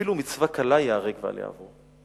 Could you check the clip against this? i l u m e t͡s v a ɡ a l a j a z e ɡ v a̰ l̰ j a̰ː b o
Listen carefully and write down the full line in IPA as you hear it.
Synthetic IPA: i l u m i t͡s v a k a l a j a ʁ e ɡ v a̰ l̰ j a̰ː v o